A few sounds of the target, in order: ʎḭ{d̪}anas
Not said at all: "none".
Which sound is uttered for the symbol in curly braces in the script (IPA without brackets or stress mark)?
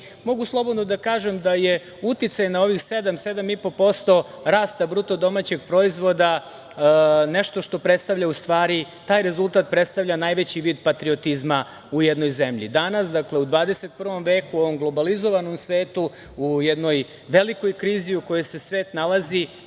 d̪